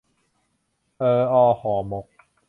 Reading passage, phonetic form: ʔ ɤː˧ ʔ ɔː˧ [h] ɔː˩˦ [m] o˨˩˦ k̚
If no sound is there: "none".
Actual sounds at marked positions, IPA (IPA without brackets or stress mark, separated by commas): h, m